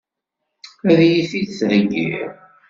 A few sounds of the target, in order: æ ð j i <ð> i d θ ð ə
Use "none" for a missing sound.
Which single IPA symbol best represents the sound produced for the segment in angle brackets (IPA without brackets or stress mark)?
θ